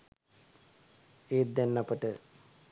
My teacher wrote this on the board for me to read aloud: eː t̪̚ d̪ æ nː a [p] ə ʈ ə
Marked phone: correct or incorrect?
correct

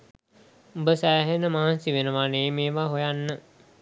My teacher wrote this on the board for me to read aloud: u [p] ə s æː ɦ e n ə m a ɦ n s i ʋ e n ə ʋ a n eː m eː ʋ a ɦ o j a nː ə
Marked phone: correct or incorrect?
incorrect: b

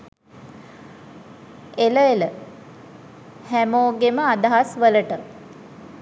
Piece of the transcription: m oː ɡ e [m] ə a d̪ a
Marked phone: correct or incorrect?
correct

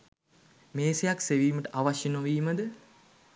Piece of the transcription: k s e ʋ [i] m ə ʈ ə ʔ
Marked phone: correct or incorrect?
incorrect: iː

